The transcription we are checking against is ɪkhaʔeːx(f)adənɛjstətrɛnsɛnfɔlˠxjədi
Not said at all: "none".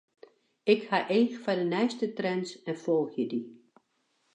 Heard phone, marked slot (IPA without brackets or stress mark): f